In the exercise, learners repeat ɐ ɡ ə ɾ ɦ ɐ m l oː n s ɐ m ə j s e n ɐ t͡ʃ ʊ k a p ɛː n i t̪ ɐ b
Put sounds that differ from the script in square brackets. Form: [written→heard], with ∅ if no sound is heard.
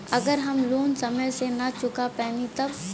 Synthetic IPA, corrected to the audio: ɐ ɡ ə ɾ ɦ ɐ m l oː n s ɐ m ə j s e n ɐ t͡ʃ ʊ k a p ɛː n i t̪ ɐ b